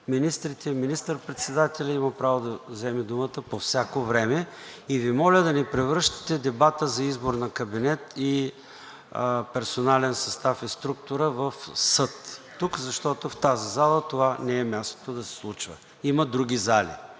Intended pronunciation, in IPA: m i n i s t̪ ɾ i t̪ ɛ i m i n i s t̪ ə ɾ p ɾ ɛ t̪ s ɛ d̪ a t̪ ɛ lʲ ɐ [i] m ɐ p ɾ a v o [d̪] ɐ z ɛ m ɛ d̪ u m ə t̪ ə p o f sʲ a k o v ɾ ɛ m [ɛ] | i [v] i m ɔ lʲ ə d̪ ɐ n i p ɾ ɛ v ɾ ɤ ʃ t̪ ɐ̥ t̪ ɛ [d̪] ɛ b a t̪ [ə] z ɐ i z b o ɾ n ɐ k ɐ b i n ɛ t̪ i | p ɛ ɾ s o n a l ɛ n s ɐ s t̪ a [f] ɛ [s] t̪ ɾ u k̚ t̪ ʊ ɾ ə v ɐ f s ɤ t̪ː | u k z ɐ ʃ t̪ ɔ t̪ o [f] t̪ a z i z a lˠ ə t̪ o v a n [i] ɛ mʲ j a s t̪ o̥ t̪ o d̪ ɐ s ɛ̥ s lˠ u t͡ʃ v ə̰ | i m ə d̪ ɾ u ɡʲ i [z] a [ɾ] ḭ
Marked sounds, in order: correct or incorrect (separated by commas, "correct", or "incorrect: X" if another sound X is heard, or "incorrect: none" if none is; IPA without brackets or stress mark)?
correct, correct, correct, correct, correct, correct, correct, correct, correct, incorrect: ɛ, correct, incorrect: l